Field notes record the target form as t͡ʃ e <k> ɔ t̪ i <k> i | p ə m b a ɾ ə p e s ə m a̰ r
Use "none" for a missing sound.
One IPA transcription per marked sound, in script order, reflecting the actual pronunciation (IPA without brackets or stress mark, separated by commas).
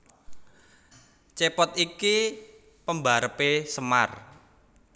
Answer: p, k